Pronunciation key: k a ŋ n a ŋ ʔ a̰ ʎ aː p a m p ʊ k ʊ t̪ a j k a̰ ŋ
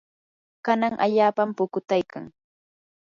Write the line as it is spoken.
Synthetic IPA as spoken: k a n a ŋ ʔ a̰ ʎ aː p a m p ʊ k ʊ t̪ a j k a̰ ŋ